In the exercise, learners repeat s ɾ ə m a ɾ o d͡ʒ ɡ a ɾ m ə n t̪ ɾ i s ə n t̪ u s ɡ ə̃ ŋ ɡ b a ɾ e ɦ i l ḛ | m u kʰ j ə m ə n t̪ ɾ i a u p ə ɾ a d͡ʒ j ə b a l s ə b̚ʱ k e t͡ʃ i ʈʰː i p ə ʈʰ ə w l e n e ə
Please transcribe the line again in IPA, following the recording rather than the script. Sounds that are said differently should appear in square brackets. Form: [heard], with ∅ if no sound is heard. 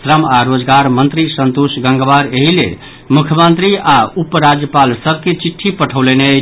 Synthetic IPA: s ɾ ə m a ɾ o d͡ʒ ɡ a ɾ m ə n t̪ ɾ i s ə n t̪ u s ɡ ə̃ ŋ ɡ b a ɾ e ɦ i l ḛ | m u kʰ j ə m ə n t̪ ɾ i a u p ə ɾ a d͡ʒ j ə [p] a l s ə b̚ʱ k e t͡ʃ i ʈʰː i p ə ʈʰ ə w l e n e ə